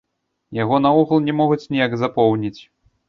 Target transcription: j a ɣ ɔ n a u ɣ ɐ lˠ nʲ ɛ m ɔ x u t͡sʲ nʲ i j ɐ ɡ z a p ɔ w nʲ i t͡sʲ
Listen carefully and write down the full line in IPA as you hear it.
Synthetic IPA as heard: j a ɣ ɔ n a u ɣ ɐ lˠ nʲ ɛ m ɔ ɣ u t͡sʲ nʲ i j a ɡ z a p ɔ w nʲ i t͡sʲ